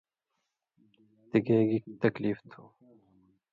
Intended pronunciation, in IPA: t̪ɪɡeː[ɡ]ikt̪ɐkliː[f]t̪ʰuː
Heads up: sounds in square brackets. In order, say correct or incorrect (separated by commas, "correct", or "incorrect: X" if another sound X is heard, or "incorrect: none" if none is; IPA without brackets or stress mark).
correct, correct